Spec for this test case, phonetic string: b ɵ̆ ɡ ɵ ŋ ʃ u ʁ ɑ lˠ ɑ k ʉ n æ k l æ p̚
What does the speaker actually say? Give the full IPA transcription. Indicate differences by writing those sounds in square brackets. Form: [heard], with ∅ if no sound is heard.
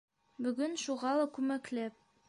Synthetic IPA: b ɵ̆ ɡ ɵ [n] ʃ u ʁ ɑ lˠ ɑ k ʉ [m] æ k l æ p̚